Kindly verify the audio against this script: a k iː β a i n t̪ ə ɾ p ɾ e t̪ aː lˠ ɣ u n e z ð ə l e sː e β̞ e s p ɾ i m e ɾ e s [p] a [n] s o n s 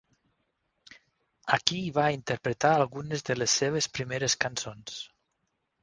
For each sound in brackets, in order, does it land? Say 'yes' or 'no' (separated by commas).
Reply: no, yes